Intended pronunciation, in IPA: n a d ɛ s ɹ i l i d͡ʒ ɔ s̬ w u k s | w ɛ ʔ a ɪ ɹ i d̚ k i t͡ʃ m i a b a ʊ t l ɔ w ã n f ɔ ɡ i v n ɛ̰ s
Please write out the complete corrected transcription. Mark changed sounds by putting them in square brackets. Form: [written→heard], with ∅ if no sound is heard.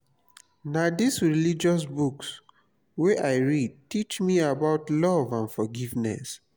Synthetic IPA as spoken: n a d [ɛ→i] s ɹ i l i d͡ʒ ɔ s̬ [w→b] u k s | w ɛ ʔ a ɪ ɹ i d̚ [k→t] i t͡ʃ m i a b a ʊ t l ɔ [w→v] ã n f ɔ ɡ i v n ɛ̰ s